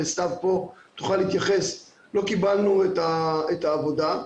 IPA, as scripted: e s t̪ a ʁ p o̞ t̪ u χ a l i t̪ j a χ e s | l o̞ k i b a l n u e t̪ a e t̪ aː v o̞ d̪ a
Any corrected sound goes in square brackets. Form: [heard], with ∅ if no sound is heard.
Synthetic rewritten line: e s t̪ a [v] p o̞ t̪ u χ a l i t̪ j a χ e s | l o̞ k i b a l n u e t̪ a e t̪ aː v o̞ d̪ a